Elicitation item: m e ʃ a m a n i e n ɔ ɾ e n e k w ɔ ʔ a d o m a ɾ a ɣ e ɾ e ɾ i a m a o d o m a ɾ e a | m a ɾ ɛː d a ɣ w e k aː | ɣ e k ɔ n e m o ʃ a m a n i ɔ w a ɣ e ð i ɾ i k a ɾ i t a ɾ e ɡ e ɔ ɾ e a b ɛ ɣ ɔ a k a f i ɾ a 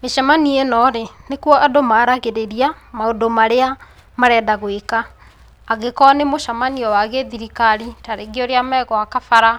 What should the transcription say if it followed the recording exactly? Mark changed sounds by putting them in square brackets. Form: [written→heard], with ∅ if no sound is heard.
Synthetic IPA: m e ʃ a m a n i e n ɔ ɾ e n e k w ɔ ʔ a d o m a ɾ a ɣ e ɾ e ɾ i a m a o d o m a ɾ e a | m a ɾ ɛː d a ɣ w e k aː | ɣ e k ɔ n e m o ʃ a m a n i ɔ w a ɣ e ð i ɾ i k a ɾ i t a ɾ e ɡ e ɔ ɾ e a [b→m] ɛ ɣ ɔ a k a f [i→a] ɾ a